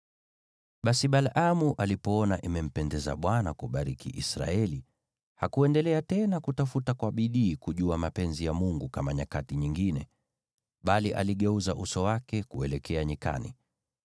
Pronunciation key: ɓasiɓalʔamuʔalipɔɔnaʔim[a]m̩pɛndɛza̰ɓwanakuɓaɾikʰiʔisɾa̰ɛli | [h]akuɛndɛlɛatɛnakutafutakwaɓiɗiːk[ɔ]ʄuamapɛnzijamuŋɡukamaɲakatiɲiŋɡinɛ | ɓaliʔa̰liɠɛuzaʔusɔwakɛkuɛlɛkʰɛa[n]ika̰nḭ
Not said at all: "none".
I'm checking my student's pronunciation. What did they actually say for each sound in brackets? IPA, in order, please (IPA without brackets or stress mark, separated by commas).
ɛ, h, u, ɲ